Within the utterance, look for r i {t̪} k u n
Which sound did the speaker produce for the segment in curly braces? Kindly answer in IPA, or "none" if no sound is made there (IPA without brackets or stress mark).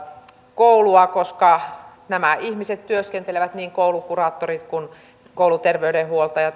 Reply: t̪